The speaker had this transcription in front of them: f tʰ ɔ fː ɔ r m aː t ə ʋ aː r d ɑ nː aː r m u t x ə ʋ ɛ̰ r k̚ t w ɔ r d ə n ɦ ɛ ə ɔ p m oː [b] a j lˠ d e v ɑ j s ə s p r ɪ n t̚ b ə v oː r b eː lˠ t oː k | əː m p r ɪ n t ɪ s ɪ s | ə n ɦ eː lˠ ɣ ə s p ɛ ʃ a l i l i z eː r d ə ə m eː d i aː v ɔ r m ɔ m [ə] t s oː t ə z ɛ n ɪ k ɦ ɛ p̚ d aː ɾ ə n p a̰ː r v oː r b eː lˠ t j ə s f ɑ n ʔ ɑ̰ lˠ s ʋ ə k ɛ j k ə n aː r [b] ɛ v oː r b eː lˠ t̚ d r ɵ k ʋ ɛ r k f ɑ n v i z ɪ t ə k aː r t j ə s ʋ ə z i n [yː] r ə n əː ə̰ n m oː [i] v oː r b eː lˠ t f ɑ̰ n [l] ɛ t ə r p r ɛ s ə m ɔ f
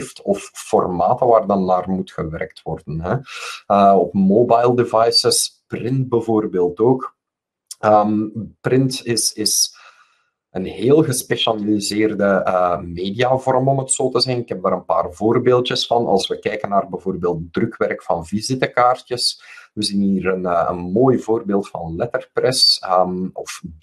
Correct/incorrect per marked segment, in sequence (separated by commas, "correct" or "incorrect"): correct, correct, correct, incorrect, incorrect, correct